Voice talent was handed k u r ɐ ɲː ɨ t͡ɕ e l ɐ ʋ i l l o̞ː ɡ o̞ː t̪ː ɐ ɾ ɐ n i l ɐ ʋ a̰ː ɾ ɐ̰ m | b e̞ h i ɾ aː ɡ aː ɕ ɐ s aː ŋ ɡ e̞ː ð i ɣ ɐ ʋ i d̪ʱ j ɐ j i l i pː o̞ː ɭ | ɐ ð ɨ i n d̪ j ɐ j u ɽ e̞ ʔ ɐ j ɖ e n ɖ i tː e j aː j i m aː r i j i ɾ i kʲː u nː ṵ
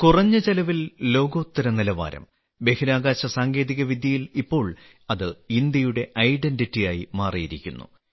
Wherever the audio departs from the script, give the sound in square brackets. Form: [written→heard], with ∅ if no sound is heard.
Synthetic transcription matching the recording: k u r ɐ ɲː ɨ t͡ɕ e l ɐ ʋ i l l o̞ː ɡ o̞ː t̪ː ɐ ɾ ɐ n i l ɐ ʋ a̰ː ɾ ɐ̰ m | b e̞ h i ɾ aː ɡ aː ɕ ɐ s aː ŋ ɡ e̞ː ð i ɣ ɐ ʋ i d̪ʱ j ɐ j i l i pː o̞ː ɭ | ɐ ð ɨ i n d̪ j ɐ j u ɽ e̞ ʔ ɐ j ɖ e n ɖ i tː [e→i] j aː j i m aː r i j i ɾ i kʲː u nː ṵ